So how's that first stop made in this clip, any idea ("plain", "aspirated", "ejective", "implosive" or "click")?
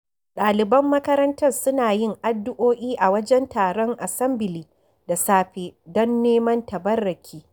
implosive